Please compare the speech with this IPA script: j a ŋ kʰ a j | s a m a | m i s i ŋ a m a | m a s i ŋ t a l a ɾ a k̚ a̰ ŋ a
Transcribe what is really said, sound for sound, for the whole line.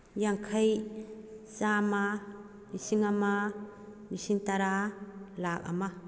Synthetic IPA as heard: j a ŋ kʰ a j | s a m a | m i s i ŋ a m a | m i s i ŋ t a ɾ a l a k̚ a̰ m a